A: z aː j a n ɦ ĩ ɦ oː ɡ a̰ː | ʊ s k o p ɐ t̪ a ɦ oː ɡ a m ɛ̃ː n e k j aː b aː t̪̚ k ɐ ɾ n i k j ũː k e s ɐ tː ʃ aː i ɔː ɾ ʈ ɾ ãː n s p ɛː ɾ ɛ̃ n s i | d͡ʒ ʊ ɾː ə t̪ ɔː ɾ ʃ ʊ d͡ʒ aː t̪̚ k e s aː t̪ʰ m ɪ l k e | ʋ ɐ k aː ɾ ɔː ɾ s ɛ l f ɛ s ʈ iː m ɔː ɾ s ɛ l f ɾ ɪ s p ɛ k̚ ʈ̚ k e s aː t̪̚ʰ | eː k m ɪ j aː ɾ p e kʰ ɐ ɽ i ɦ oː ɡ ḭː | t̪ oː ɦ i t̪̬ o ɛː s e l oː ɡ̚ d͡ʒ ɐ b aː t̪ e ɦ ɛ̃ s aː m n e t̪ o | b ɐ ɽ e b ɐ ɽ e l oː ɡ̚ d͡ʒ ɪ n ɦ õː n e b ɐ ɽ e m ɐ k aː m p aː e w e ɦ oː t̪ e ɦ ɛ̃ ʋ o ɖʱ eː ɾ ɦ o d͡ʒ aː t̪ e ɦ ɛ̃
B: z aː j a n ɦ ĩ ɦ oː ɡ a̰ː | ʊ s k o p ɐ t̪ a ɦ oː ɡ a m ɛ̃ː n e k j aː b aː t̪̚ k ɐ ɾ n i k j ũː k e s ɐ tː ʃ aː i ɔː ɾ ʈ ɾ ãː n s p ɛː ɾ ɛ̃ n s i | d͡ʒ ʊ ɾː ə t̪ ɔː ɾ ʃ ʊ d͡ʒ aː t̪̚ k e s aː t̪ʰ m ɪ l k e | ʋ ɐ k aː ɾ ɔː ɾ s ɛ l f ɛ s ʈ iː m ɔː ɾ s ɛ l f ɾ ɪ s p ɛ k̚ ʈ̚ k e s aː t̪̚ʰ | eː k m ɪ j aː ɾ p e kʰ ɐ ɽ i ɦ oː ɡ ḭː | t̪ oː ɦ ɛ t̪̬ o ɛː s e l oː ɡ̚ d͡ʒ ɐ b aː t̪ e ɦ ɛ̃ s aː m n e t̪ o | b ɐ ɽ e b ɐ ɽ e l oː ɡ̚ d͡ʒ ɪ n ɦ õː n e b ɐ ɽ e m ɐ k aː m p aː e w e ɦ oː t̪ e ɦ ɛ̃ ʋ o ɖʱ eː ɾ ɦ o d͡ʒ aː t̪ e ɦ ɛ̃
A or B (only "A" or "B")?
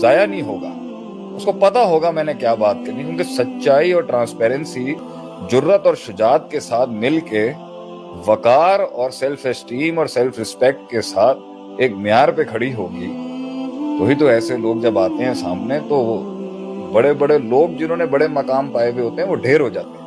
A